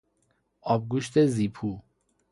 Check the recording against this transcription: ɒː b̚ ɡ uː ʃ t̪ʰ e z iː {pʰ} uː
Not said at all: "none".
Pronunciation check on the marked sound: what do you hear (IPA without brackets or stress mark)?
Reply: pʰ